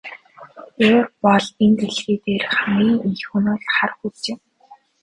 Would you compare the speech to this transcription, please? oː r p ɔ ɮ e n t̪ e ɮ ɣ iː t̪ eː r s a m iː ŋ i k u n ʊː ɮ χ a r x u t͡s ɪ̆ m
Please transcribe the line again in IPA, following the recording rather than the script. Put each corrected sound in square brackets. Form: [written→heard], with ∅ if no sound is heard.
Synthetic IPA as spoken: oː r p ɔ ɮ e n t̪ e ɮ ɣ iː t̪ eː r [s→χ] a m iː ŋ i [k→x] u n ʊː ɮ χ a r x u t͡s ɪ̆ m